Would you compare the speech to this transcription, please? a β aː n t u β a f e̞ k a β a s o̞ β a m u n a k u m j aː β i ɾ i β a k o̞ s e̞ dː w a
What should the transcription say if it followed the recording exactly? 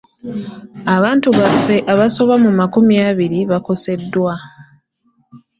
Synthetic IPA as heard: a β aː n t u β a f e̞ ʔ a β a s o̞ β a m u m a k u m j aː β i ɾ i β a k o̞ s e̞ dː w a